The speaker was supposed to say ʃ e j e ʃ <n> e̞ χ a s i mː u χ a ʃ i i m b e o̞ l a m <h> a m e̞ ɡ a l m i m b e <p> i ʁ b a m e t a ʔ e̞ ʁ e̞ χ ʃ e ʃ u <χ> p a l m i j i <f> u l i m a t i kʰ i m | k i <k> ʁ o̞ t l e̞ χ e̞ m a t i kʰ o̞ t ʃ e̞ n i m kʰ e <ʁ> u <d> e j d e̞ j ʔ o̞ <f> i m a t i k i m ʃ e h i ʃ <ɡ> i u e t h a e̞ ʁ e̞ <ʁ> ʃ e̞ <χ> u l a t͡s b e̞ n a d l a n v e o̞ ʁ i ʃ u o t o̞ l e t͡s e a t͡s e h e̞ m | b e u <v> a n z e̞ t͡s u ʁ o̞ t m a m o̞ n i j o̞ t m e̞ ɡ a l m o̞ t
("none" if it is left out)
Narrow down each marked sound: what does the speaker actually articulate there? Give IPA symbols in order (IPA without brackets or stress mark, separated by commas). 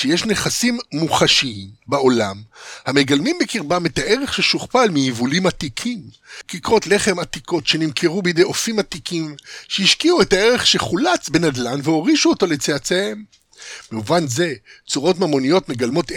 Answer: n, h, k, χ, v, k, ʁ, b, f, k, χ, χ, v